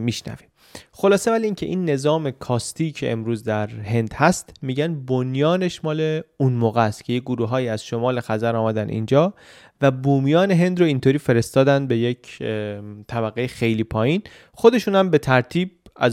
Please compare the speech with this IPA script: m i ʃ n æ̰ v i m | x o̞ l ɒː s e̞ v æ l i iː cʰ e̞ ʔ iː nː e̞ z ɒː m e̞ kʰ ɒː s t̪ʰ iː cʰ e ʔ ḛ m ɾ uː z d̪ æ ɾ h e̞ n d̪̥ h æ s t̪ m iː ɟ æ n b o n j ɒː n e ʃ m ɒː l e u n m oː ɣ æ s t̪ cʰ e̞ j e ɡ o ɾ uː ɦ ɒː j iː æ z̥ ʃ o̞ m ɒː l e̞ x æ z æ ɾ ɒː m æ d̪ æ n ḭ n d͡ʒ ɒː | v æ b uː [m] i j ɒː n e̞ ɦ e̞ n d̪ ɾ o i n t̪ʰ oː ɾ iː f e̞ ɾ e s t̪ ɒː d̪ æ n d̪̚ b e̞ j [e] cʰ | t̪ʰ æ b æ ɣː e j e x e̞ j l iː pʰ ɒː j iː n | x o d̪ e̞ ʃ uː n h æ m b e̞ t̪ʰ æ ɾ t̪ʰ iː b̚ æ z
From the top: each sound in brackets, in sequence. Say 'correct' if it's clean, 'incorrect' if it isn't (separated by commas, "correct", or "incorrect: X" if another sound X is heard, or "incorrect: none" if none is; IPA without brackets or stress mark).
correct, correct